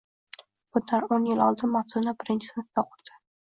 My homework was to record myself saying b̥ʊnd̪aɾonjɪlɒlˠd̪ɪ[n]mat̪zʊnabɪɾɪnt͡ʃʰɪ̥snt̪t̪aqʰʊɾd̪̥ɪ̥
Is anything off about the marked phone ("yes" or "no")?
no